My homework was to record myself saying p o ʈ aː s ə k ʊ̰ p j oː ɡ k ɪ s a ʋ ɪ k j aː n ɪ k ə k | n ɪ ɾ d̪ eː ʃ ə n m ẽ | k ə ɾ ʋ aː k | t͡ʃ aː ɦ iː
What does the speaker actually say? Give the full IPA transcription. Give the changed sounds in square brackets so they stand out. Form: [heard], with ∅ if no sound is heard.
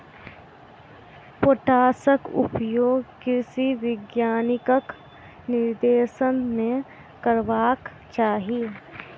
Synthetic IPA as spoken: p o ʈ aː s ə k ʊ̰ p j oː ɡ k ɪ s [i] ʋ ɪ [ɡ] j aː n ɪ k ə k | n ɪ ɾ d̪ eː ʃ ə n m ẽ | k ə ɾ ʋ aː k | t͡ʃ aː ɦ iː